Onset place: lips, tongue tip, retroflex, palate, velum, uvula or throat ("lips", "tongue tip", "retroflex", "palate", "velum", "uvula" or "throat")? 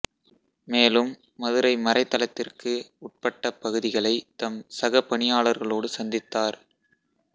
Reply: lips